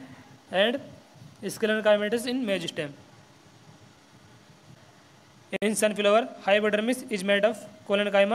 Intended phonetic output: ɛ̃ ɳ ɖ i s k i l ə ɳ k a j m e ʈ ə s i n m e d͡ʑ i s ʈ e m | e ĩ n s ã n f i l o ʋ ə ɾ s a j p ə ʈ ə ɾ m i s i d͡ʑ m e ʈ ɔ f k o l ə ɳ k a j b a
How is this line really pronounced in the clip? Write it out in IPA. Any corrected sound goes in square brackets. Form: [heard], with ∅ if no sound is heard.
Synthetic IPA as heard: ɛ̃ ɳ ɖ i s k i l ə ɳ k a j m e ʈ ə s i n m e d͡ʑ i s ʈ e m | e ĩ n s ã n f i l o ʋ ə ɾ [h] a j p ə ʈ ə ɾ m i s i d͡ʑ m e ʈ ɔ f k o l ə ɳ k a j [m] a

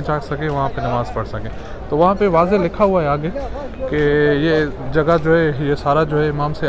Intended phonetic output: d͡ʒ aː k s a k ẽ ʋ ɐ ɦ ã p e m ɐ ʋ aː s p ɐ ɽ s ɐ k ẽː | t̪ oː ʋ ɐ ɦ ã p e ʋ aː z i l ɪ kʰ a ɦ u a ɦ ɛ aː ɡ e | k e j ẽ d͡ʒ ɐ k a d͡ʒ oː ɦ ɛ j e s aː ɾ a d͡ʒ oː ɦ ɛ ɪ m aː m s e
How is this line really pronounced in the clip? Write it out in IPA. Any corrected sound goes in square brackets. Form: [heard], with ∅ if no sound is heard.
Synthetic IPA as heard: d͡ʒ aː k s [ɐ] k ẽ ʋ ɐ ɦ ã p e [n] ɐ ʋ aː [z] p ɐ ɽ s ɐ k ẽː | t̪ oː ʋ ɐ ɦ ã p e ʋ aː z [e] l ɪ kʰ a ɦ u a ɦ ɛ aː ɡ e | k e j [e] d͡ʒ ɐ [ɡ] a d͡ʒ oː ɦ ɛ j e s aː ɾ a d͡ʒ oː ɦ ɛ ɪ m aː m s e

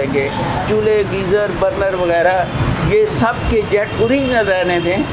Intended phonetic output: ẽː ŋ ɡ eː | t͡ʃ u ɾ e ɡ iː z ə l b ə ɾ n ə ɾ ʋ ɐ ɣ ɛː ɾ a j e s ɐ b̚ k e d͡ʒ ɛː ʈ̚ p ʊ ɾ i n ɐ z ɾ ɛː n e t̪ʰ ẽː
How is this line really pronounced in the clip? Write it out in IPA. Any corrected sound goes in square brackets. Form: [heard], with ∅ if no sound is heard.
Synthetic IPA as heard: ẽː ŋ ɡ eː | t͡ʃ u [l] e ɡ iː z ə [ɾ] b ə ɾ n ə ɾ ʋ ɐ ɣ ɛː ɾ a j e s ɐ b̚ k e d͡ʒ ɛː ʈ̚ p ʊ ɾ i n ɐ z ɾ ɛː n e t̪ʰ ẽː

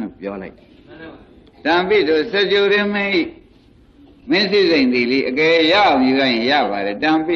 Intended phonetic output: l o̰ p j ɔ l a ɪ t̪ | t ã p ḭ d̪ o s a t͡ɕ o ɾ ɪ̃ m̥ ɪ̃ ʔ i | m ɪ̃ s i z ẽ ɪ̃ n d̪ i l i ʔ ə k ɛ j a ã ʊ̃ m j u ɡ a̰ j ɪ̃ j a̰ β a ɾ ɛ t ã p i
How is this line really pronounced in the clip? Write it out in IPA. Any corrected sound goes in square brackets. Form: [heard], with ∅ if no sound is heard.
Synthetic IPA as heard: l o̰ p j ɔ l a ɪ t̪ | t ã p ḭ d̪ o s [ɛ] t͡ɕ o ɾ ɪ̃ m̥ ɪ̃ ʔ i | m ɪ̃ s i z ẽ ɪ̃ n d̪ i l i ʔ ə k ɛ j a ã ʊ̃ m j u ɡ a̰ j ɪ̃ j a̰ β a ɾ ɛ t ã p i

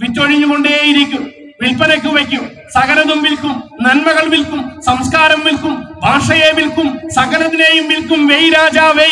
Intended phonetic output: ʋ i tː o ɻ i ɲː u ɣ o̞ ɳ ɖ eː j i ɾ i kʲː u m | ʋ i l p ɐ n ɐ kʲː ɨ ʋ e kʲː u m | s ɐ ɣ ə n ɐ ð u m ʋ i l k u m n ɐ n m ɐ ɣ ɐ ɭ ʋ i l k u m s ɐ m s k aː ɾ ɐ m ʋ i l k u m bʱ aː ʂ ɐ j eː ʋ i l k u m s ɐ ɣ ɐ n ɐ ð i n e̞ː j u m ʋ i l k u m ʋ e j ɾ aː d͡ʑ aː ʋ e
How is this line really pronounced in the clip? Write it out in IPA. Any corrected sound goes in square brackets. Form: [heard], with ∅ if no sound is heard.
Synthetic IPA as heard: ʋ i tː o ɻ i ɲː u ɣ o̞ ɳ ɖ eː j i ɾ i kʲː u m | ʋ i l p ɐ n ɐ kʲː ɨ ʋ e kʲː u m | s ɐ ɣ [ɐ] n ɐ ð u m ʋ i l k u m n ɐ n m ɐ ɣ ɐ ɭ ʋ i l k u m s ɐ m s k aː ɾ ɐ m ʋ i l k u m bʱ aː ʂ ɐ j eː ʋ i l k u m s ɐ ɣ ɐ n ɐ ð i n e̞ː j u m ʋ i l k u m ʋ e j ɾ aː d͡ʑ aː ʋ e

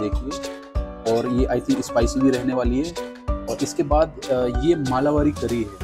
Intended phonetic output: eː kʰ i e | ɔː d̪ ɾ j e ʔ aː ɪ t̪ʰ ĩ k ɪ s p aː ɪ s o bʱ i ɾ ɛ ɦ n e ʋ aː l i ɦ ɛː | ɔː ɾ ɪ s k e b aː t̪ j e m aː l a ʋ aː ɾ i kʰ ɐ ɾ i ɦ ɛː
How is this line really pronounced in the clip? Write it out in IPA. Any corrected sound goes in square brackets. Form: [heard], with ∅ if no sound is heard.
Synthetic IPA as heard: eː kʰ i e | ɔː [∅] ɾ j e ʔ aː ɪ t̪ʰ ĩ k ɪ s p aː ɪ s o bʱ i ɾ ɛ ɦ n e ʋ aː l i ɦ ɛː | ɔː ɾ ɪ s k e b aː [d̪] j e m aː l a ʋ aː ɾ i [k] ɐ ɾ i ɦ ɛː

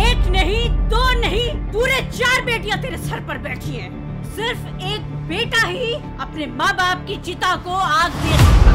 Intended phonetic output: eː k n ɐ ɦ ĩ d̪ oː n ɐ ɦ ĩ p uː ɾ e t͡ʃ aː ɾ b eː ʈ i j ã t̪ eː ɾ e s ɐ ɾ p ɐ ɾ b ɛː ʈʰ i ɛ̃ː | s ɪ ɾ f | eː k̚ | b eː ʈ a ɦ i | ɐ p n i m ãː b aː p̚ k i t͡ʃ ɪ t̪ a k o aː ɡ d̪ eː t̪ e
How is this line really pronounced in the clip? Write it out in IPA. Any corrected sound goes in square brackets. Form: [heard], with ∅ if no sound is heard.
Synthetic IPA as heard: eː k n ɐ ɦ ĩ d̪ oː n ɐ ɦ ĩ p uː ɾ e t͡ʃ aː ɾ b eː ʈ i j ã t̪ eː ɾ e s ɐ ɾ p ɐ ɾ b ɛː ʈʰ i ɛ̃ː | s ɪ ɾ f | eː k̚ | b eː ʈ a ɦ i | ɐ p n [e] m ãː b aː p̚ k i t͡ʃ ɪ t̪ a k o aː ɡ d̪ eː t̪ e

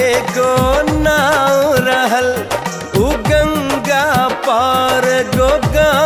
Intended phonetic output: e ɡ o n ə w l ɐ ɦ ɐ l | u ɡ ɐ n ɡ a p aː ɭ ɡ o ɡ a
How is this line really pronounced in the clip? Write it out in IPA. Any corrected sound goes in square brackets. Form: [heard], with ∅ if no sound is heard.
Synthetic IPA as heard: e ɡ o n [a] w [ɾ] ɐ ɦ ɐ l | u ɡ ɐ [ŋ] ɡ a p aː [ɾ] ɡ o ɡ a

